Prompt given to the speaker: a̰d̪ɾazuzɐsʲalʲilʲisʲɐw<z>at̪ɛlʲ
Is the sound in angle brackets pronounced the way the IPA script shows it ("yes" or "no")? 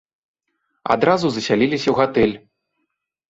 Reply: no